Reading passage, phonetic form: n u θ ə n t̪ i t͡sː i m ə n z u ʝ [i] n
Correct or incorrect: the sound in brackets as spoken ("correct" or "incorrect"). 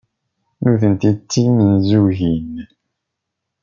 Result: correct